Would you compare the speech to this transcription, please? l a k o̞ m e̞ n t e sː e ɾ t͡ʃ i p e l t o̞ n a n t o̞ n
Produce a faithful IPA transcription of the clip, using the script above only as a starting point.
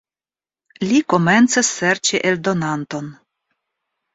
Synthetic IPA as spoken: l i k o̞ m e̞ n t͡s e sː e ɾ t͡ʃ i ʔ e l d o̞ n a n t o̞ n